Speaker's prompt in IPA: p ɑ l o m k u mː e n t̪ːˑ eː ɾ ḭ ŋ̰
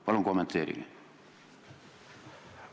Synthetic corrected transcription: p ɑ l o ŋ k o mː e n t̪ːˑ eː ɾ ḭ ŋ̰

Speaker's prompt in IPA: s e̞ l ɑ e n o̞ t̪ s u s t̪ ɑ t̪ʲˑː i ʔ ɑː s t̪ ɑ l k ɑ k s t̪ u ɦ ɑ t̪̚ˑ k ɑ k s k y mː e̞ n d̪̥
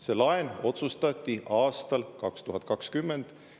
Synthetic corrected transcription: s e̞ l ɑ e n o̞ t̪ s u s t̪ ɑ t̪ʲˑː i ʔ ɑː s t̪ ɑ l k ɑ k s t̪ u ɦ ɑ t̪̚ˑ k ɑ k s k y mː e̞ n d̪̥

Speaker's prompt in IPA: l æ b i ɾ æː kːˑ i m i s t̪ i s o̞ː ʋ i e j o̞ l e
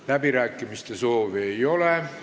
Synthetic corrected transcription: l æ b i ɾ æː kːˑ i m i s t̪ e s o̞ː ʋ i e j o̞ l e

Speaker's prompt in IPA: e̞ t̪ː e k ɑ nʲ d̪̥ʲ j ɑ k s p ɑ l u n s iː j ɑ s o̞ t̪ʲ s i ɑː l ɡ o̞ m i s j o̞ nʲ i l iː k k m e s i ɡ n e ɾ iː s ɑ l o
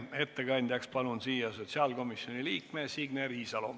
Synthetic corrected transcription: e̞ t̪ː e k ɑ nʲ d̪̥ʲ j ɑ k s p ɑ l u n s iː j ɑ s o̞ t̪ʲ s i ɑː l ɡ o̞ m i s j o̞ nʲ i l iː k k m e s i ɡ n e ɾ iː s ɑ l o

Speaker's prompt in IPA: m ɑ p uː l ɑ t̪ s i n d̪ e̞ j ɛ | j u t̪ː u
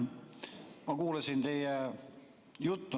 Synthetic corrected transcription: m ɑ k uː l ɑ s i n t̪ e̞ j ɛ | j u t̪ː u

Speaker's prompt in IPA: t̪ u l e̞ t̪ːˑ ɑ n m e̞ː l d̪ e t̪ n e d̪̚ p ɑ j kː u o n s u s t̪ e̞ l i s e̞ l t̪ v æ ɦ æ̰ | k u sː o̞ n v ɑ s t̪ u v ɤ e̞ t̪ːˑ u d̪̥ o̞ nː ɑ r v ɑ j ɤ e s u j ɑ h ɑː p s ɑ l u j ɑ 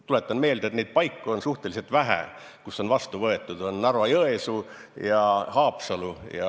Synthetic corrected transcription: t̪ u l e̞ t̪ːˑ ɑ n m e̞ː l d̪ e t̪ n e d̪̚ p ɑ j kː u o n s u h t̪ e̞ l i s e̞ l t̪ v æ ɦ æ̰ | k u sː o̞ n v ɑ s t̪ u v ɤ e̞ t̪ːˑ u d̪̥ o̞ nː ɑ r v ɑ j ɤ e s u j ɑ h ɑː p s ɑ l u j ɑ

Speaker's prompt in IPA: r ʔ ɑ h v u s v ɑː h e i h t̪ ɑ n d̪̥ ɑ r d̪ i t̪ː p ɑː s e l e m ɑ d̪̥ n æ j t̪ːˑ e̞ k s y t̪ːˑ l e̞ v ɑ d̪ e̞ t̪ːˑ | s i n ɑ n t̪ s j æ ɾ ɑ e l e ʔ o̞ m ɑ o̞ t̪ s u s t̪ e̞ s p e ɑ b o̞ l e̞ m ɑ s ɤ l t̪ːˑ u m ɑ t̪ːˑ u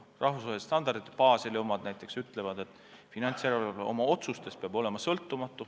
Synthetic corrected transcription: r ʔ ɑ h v u s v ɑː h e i s t̪ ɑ n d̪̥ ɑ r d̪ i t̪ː p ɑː s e l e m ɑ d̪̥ n æ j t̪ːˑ e̞ k s y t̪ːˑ l e̞ v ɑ d̪ e̞ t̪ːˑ | f i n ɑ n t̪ s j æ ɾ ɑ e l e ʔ o̞ m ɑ o̞ t̪ s u s t̪ e̞ s p e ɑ b o̞ l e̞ m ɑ s ɤ l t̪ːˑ u m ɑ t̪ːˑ u

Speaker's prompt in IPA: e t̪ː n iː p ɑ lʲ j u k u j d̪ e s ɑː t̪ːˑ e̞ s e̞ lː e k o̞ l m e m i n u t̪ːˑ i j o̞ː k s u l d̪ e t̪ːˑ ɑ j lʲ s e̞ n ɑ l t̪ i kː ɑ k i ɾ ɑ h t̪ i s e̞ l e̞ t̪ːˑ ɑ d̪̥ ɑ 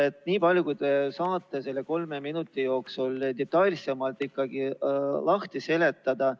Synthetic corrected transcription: e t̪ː n iː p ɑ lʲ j u k u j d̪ e s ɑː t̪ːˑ e̞ s e̞ lː e k o̞ l m e m i n u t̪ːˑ i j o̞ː k s u l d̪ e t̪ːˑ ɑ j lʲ s e̞ m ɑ l t̪ i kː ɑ ɡ i l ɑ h t̪ i s e̞ l e̞ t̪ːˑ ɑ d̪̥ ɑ

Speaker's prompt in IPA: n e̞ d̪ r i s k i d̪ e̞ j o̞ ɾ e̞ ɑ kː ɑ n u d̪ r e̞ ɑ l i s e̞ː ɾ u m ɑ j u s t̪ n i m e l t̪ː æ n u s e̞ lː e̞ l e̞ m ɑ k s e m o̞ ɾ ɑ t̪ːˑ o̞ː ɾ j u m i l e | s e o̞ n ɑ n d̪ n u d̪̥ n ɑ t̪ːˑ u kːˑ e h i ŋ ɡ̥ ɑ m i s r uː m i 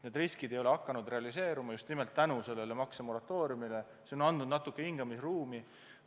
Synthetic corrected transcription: n e̞ d̪ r i s k i d̪ e̞ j o̞ l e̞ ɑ kː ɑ n u d̪ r e̞ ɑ l i s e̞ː ɾ u m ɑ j u s t̪ n i m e l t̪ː æ n u s e̞ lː e̞ l e̞ m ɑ k s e m o̞ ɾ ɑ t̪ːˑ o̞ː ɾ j u m i l e | s e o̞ n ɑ n d̪ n u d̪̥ n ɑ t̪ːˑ u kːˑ e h i ŋ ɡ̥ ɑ m i s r uː m i

